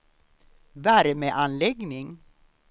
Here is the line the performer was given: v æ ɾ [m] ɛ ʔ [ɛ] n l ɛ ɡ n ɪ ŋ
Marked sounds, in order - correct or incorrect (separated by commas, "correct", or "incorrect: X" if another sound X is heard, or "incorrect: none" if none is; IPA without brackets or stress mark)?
correct, incorrect: a